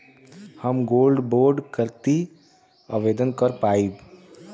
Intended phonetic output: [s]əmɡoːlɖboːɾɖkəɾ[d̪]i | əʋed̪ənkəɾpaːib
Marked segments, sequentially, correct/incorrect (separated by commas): incorrect, incorrect